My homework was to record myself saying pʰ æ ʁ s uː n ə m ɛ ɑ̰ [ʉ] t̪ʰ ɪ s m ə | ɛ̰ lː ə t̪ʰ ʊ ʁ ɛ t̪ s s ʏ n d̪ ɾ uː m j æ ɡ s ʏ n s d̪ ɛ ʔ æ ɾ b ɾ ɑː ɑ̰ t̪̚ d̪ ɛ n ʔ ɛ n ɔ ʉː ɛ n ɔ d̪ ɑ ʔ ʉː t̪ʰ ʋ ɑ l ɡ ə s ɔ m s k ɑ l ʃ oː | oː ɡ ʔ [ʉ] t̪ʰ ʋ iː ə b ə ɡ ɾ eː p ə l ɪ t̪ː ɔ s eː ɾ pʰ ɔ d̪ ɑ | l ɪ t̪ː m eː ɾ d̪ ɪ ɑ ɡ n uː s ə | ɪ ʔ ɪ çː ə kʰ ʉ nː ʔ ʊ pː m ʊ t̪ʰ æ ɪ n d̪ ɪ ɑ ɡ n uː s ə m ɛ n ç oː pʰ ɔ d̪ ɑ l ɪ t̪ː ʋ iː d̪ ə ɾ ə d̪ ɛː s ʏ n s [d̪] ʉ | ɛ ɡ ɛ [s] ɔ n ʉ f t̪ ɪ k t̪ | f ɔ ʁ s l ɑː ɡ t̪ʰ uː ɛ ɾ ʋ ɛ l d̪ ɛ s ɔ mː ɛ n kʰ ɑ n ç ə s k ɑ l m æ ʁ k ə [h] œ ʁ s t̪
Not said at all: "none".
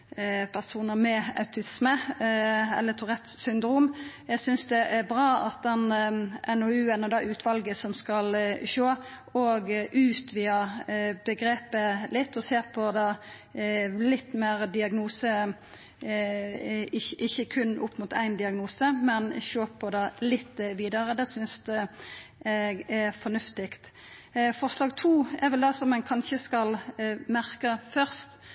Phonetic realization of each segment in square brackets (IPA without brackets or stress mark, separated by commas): ʉ, ʉː, d̪, f, f